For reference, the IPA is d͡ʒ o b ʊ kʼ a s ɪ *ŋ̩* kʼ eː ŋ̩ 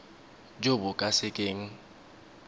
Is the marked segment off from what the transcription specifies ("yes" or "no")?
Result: yes